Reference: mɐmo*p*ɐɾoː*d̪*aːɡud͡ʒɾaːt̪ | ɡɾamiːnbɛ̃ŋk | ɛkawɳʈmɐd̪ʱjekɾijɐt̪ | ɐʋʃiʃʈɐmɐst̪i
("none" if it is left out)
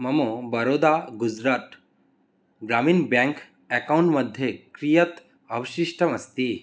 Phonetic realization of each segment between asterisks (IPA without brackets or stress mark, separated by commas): b, d̪